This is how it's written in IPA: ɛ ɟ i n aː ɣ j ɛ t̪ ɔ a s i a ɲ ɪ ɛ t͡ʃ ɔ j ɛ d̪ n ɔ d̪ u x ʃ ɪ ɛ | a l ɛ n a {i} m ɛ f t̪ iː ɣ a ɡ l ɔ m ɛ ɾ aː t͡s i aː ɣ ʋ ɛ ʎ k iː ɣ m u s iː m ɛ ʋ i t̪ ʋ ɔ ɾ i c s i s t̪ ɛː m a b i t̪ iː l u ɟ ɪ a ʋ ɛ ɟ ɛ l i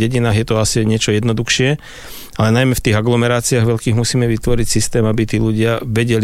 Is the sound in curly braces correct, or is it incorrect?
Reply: incorrect